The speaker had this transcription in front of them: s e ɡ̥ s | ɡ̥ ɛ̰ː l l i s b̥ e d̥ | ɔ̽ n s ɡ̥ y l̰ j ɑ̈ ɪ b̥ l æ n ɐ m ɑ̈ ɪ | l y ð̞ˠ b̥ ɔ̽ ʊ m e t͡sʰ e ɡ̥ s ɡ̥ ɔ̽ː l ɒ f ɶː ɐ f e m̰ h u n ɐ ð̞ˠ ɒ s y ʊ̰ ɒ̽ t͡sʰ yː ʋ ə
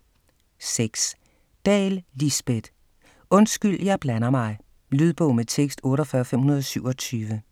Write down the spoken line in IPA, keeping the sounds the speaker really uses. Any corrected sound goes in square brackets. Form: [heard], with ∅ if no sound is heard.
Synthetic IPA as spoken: s e ɡ̥ s | [d̥] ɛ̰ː l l i s b̥ e d̥ | ɔ̽ n s ɡ̥ y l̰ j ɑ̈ ɪ b̥ l æ n ɐ m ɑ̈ ɪ | l y ð̞ˠ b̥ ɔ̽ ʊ m e t͡sʰ e ɡ̥ s [d̥] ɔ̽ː [ɾ] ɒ f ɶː ɐ f e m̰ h u n ɐ ð̞ˠ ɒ s y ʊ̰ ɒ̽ t͡sʰ yː ʋ ə